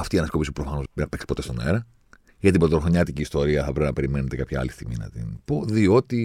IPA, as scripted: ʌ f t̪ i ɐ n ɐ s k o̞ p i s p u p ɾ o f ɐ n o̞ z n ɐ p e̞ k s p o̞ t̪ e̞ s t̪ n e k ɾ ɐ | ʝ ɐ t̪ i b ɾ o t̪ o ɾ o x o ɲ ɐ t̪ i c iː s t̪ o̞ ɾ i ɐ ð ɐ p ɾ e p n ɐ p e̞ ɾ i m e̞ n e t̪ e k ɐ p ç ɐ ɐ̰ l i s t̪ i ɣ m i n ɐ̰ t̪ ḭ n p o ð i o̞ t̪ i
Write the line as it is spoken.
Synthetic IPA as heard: ɐ f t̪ i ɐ n ɐ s k o̞ p i s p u p ɾ o f ɐ n o̞ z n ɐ p e̞ k s p o̞ t̪ e̞ s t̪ n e ɾ ɐ | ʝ ɐ t̪ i b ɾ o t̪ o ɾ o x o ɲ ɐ t̪ i c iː s t̪ o̞ ɾ i ɐ θ ɐ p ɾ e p n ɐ p e̞ ɾ i m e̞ n e t̪ e k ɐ p ç ɐ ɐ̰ l i s t̪ i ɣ m i n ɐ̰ t̪ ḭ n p o ð i o̞ t̪ i